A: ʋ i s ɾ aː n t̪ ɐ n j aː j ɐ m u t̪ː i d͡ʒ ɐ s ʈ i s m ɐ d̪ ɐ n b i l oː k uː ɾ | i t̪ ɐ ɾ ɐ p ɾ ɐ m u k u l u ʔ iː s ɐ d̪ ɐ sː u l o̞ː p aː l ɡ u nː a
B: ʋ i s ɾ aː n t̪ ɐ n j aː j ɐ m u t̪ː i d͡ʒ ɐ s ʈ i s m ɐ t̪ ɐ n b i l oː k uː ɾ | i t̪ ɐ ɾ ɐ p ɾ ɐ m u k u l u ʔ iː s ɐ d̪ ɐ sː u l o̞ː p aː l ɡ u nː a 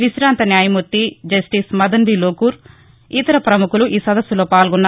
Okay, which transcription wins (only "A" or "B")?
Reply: A